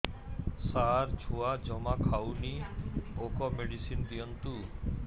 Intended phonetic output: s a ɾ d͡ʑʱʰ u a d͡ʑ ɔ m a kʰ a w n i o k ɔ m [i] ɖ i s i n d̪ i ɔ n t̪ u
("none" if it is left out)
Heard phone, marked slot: e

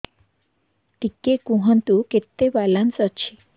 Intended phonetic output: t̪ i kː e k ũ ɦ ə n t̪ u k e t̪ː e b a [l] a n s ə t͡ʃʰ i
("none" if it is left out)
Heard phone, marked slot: l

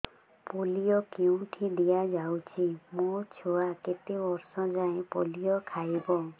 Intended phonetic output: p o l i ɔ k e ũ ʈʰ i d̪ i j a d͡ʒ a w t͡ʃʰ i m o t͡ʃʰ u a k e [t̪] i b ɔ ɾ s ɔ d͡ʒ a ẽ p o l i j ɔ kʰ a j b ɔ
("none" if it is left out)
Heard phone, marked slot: t̪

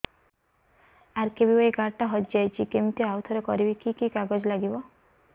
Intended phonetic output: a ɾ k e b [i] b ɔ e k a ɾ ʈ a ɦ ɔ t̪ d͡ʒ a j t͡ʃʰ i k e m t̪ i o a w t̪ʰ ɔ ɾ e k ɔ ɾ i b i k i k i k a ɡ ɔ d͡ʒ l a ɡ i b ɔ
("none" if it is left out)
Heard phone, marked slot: i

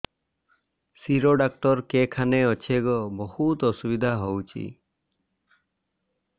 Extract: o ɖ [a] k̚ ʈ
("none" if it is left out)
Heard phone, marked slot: a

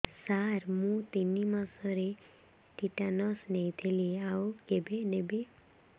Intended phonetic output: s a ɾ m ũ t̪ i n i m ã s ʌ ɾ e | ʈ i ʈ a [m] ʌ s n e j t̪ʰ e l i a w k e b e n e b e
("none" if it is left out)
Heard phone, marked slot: n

